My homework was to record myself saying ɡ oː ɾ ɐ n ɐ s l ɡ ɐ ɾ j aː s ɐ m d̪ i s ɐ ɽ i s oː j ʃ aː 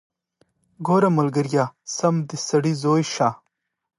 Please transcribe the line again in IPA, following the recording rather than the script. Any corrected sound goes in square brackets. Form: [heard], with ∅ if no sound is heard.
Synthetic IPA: ɡ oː ɾ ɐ [m] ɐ [∅] l ɡ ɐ ɾ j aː s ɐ m d̪ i s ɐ ɽ i [z] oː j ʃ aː